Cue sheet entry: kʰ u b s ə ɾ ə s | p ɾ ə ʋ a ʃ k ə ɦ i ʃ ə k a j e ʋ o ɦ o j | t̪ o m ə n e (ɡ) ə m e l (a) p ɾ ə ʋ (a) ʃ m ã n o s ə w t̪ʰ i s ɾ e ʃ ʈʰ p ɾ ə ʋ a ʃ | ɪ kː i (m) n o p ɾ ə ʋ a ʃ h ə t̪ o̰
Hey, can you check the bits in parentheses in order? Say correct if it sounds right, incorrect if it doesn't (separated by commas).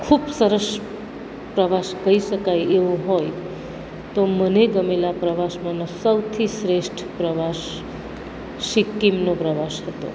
correct, correct, correct, correct